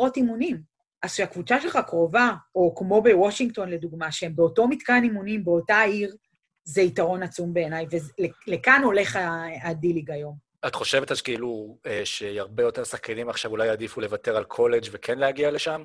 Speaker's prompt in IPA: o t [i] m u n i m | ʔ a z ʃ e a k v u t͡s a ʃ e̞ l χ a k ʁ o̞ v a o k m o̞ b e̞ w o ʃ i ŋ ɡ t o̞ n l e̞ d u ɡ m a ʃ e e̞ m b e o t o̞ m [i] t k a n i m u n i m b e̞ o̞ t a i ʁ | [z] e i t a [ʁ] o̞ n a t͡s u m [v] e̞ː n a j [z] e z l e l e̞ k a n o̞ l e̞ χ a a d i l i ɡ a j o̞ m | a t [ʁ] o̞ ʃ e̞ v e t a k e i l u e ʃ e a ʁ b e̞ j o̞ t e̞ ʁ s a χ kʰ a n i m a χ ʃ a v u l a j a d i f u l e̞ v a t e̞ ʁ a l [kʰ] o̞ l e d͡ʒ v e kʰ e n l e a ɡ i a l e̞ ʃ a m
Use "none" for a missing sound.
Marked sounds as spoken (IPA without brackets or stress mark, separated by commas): i, i, z, ʁ, b, v, χ, kʰ